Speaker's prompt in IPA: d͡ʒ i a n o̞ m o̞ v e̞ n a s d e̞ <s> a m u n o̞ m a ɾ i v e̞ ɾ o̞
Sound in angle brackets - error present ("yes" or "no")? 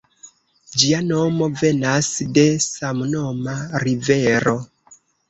no